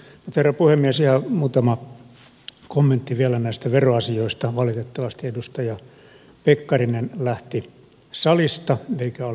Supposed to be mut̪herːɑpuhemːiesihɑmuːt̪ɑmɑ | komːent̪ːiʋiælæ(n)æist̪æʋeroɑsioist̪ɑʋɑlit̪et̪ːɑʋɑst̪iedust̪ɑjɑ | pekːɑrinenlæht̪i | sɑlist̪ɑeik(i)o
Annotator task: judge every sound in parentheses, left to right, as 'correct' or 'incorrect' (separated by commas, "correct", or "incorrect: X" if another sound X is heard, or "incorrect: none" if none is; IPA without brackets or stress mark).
correct, incorrect: æ